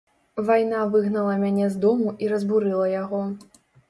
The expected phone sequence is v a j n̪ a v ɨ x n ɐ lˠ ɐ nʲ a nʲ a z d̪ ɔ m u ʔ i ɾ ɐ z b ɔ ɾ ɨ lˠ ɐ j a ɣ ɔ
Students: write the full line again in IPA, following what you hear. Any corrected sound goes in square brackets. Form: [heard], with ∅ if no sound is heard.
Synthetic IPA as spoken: v a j n̪ a v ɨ [ɣ] n ɐ lˠ ɐ [mʲ] a nʲ [ɛ] z d̪ ɔ m u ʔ i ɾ ɐ z b [u] ɾ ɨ lˠ ɐ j a ɣ ɔ